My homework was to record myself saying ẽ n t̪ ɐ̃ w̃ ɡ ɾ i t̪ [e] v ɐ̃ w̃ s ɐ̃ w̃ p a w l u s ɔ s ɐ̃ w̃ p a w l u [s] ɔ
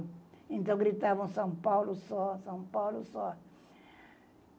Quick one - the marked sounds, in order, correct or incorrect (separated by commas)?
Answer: incorrect, correct